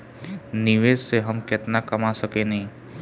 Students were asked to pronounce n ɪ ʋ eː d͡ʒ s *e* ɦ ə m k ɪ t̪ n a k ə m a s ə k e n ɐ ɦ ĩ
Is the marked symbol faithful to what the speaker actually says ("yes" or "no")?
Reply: yes